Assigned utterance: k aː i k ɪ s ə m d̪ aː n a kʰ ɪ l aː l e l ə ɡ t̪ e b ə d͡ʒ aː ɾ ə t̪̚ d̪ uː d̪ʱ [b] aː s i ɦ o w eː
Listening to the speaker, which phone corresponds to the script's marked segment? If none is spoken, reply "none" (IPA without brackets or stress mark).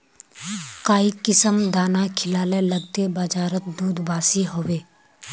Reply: b